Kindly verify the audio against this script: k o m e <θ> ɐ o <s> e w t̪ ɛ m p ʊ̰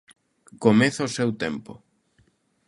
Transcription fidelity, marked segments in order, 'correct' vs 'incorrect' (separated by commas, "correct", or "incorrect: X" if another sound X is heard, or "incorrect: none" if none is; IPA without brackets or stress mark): correct, correct